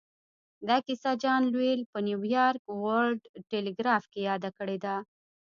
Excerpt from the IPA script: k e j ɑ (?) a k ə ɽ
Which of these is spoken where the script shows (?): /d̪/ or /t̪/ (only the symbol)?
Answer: d̪